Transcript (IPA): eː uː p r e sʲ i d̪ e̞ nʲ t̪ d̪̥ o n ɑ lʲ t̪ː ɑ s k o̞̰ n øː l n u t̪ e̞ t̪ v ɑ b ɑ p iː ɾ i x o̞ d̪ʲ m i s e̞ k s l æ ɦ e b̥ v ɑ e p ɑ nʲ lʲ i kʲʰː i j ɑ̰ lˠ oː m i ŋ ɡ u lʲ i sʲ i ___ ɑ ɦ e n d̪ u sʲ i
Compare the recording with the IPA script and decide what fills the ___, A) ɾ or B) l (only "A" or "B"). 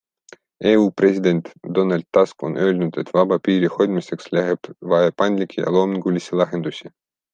B